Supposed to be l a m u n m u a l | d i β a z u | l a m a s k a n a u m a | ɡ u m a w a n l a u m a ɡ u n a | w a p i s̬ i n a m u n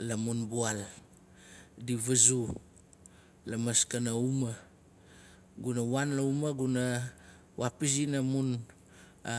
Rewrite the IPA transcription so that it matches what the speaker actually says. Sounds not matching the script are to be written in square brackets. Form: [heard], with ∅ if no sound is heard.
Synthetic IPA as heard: l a m u n [b] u a l | d i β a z u | l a m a s k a n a u m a | ɡ u [n] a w a n l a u m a ɡ u n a | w a p i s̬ i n a m u n